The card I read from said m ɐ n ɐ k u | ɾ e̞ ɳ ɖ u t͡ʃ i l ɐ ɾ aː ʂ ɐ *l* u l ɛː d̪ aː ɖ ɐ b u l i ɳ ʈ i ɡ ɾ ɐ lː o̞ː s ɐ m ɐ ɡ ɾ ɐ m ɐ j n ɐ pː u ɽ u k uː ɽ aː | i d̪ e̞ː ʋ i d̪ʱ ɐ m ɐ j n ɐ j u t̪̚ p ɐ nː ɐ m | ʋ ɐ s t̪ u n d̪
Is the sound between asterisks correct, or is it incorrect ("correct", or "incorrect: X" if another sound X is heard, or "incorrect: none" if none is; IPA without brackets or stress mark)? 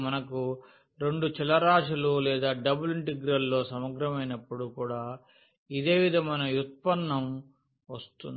correct